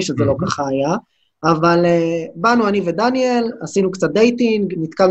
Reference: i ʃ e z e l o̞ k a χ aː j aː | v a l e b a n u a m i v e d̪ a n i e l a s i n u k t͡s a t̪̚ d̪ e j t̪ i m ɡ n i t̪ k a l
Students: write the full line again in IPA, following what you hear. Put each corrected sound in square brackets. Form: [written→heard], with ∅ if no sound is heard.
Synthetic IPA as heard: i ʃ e z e l o̞ k a χ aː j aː | v a l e b a n u a [m→n] i v e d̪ a n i e l a s i n u k t͡s a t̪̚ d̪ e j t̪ i [m→ŋ] ɡ n i t̪ k a l